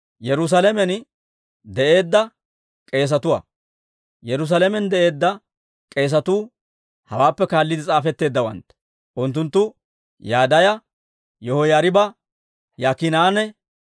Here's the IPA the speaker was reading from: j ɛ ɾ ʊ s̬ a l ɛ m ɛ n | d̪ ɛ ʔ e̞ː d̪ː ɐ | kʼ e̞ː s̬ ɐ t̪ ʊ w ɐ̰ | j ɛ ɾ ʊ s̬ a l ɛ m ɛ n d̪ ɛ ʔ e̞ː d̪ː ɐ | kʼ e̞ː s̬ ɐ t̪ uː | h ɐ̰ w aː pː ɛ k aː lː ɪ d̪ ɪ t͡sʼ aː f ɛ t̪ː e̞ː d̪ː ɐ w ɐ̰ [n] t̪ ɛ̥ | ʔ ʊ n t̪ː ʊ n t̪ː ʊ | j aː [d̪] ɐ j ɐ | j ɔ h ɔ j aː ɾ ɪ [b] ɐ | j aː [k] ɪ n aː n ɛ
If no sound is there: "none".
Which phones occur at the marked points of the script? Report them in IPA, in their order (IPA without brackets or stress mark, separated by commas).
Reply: n, d̪, b, k